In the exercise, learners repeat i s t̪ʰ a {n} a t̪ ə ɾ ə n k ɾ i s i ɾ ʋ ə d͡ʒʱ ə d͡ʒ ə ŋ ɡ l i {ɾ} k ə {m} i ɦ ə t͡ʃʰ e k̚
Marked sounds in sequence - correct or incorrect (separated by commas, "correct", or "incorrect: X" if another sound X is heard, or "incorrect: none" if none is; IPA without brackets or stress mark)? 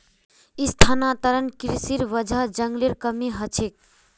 correct, correct, correct